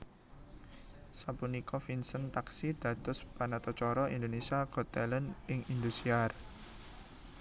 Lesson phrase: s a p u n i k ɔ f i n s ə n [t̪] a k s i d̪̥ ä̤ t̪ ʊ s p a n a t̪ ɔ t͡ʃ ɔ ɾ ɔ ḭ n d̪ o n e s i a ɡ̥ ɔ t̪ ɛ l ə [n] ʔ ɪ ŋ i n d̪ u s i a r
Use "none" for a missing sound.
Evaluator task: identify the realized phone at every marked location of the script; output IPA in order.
t̪, n

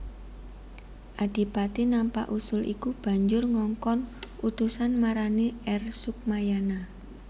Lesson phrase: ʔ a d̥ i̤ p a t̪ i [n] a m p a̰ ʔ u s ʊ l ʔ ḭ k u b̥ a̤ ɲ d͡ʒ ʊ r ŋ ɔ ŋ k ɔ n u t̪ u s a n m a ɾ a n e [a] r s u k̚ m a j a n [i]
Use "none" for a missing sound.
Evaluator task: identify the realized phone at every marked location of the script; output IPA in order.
n, ɛ, a

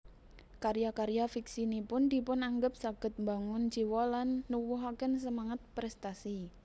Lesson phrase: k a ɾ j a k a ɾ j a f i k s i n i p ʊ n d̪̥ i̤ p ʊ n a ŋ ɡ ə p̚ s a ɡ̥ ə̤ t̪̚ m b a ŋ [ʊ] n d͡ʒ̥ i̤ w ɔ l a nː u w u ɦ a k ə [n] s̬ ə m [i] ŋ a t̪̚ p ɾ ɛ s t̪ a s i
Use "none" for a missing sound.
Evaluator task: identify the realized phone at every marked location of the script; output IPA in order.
ʊ, n, a

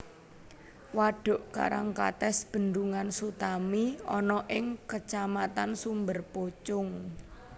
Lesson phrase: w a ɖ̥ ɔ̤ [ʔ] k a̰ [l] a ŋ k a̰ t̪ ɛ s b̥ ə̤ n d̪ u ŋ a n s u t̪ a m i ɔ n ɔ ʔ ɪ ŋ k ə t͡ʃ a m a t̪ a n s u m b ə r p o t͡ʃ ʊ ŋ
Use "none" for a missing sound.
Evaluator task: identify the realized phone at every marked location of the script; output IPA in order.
ʔ, ɾ

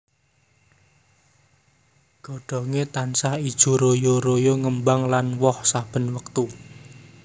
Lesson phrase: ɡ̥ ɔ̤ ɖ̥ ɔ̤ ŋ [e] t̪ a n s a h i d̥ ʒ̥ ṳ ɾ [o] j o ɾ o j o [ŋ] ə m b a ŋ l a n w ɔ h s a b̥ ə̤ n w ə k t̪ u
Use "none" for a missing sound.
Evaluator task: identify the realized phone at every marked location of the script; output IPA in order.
e, o, ŋ

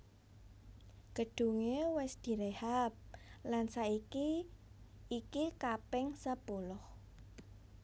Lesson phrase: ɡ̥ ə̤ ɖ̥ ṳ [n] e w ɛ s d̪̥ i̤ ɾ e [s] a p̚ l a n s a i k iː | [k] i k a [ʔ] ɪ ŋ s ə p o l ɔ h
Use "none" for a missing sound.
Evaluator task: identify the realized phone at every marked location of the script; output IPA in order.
ŋ, h, k, p

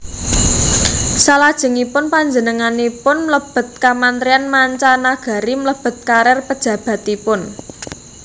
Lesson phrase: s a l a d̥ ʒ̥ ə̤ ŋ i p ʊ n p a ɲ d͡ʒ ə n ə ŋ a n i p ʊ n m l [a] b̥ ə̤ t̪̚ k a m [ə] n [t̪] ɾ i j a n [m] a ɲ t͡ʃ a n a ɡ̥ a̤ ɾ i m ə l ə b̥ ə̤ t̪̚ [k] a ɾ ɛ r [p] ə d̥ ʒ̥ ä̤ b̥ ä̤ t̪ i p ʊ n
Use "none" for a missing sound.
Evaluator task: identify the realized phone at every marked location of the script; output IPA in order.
ə, a, t̪, m, k, p

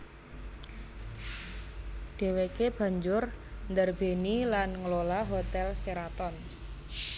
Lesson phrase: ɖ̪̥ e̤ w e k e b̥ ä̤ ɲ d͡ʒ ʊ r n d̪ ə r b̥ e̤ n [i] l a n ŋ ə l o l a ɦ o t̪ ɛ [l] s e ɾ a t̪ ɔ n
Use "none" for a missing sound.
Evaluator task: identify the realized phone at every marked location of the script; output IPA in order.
i, l

